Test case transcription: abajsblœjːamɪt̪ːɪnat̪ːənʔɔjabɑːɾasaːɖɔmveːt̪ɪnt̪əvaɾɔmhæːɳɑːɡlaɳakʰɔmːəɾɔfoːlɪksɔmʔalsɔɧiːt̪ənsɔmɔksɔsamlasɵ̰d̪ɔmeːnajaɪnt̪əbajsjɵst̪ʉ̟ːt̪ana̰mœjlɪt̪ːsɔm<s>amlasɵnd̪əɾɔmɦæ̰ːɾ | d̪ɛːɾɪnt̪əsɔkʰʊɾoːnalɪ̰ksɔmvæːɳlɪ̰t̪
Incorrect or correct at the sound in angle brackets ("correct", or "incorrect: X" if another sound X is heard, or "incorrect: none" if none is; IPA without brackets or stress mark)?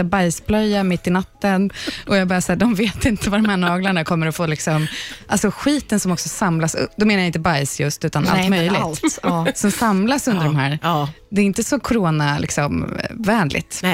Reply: correct